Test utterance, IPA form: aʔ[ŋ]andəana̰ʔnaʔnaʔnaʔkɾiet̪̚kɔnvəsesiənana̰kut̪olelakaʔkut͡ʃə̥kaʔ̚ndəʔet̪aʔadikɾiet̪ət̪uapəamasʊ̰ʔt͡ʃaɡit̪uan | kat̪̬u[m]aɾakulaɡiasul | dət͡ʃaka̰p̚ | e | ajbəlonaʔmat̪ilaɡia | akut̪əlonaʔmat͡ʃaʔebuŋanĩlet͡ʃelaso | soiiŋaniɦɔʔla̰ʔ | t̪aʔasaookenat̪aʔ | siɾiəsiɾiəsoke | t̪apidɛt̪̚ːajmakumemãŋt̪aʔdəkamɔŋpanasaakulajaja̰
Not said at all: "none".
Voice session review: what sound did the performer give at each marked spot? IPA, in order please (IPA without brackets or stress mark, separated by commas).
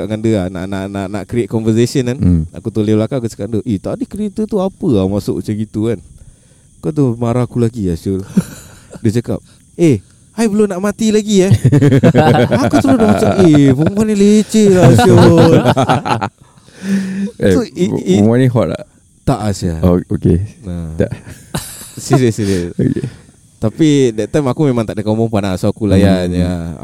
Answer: ŋ, m